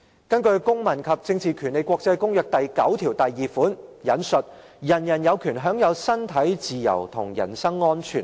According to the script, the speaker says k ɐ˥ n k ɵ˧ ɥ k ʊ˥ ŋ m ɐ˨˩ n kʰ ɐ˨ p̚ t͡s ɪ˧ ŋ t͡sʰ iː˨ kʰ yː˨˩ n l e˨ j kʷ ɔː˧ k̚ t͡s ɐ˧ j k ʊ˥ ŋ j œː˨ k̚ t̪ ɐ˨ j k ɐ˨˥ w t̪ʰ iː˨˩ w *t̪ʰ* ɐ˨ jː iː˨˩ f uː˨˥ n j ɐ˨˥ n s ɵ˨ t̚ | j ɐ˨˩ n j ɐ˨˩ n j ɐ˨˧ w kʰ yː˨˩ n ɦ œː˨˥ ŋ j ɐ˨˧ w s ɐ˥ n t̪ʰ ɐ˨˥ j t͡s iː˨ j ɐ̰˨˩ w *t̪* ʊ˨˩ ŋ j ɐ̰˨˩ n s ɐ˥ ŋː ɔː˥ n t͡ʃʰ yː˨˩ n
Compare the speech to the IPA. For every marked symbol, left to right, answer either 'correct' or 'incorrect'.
incorrect: t̪, incorrect: t̪ʰ

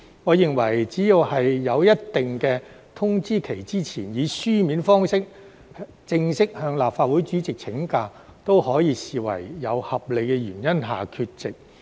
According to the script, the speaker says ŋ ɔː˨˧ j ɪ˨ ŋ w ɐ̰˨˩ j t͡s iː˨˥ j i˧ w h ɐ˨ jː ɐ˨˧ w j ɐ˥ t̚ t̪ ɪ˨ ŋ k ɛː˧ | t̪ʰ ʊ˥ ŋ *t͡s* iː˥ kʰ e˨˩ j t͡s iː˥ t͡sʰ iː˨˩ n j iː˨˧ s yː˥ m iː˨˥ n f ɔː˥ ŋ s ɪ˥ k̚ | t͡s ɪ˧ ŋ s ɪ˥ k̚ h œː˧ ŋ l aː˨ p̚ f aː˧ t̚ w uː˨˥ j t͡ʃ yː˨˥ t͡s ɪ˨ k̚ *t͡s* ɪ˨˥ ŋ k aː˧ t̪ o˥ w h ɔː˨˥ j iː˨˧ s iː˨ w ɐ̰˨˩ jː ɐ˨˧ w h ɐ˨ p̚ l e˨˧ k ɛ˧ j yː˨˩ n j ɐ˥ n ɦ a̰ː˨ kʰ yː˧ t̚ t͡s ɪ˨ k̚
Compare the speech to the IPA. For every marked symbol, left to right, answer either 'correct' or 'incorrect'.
correct, incorrect: t͡sʰ

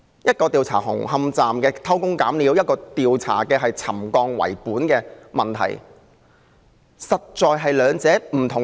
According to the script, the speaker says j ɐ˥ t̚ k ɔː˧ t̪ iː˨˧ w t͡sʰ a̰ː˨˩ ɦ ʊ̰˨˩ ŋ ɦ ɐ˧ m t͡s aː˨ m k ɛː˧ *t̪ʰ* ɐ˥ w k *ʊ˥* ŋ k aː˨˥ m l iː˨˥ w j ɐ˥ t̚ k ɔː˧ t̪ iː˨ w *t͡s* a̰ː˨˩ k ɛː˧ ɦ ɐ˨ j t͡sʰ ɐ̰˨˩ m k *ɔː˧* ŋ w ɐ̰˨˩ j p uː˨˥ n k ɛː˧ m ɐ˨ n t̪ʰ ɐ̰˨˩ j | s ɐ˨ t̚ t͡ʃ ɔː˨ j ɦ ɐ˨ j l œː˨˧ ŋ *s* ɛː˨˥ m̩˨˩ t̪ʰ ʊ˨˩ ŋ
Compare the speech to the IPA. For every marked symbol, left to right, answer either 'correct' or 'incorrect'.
correct, correct, incorrect: t͡sʰ, correct, incorrect: t͡s

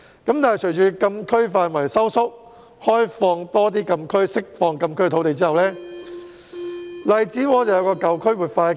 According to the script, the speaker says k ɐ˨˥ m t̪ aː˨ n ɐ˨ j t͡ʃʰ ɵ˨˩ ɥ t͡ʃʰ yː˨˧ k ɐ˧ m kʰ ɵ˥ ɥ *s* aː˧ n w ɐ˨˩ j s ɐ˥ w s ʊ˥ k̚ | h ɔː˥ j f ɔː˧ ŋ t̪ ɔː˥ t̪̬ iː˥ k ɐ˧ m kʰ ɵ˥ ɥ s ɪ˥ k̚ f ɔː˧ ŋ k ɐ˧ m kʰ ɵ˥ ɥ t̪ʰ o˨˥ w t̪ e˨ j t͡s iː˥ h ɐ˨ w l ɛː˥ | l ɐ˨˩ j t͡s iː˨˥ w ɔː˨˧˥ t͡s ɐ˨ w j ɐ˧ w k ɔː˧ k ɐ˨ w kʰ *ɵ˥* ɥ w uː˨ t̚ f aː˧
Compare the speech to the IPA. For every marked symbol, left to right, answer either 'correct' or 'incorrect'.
incorrect: f, correct

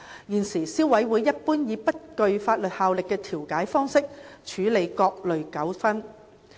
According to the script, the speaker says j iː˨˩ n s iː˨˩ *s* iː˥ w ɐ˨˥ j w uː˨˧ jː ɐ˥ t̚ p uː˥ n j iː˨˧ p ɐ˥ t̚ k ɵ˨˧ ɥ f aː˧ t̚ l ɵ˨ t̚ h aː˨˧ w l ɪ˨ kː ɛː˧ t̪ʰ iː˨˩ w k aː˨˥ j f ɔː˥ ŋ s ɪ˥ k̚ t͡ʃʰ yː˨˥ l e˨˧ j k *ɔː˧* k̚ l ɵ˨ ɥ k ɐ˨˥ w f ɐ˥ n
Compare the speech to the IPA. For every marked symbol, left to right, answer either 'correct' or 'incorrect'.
correct, correct

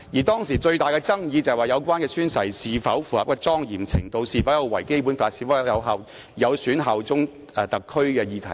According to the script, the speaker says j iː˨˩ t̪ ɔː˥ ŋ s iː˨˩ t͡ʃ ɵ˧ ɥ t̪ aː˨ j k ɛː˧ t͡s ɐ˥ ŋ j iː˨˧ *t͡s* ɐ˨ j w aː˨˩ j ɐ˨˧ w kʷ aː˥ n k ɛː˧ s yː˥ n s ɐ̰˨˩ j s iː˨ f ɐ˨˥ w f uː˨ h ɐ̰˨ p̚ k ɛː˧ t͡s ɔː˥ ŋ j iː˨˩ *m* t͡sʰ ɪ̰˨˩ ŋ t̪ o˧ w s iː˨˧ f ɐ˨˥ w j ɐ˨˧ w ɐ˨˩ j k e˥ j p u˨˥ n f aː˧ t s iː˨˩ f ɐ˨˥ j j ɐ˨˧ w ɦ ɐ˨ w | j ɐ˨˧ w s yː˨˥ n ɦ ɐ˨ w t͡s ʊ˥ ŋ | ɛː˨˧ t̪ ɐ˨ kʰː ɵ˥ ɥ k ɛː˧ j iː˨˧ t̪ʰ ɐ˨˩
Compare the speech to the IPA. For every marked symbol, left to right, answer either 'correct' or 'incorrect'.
correct, correct

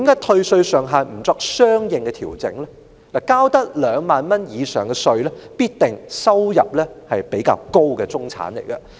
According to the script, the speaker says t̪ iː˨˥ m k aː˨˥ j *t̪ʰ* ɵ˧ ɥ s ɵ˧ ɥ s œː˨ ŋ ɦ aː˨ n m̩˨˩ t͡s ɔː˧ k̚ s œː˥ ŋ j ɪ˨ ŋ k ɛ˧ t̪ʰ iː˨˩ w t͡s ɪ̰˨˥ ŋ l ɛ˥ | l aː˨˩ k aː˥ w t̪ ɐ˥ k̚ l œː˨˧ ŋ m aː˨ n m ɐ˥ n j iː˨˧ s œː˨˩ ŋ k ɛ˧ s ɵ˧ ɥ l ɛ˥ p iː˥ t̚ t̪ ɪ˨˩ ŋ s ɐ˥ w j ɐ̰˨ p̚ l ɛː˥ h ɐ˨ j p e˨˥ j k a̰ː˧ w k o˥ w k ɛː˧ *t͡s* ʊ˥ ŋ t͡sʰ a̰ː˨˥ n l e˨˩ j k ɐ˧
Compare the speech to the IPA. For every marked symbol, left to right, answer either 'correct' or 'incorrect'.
correct, correct

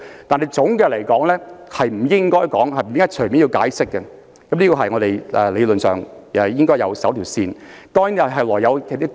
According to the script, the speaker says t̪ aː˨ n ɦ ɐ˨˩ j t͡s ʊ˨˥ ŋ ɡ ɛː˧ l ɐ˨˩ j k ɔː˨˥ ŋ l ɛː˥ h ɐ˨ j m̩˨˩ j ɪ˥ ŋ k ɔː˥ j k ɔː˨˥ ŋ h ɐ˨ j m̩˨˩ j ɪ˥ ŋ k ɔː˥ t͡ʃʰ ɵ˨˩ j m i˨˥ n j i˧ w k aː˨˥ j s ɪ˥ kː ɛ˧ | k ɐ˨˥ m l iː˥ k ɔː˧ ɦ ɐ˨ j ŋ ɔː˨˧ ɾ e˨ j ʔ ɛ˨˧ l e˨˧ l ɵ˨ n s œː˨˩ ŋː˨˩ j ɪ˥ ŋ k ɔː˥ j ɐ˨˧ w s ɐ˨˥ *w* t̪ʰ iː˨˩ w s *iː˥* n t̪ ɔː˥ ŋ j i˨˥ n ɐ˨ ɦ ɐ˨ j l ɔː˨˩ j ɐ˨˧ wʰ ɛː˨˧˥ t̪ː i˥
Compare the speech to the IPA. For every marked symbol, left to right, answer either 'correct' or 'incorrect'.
correct, incorrect: iː˧

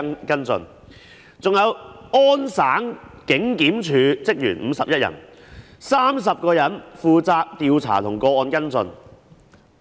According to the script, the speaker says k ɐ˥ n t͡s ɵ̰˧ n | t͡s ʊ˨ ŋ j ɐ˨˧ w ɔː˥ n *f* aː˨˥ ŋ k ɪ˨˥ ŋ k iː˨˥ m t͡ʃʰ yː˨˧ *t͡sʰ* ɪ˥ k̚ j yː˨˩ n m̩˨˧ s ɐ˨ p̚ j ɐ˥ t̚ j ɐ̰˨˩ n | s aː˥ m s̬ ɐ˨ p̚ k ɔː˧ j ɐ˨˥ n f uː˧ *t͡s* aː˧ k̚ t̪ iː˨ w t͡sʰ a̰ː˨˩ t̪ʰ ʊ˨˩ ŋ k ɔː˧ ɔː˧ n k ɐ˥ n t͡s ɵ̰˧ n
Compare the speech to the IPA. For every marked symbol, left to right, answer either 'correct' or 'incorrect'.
incorrect: s, incorrect: t͡s, correct

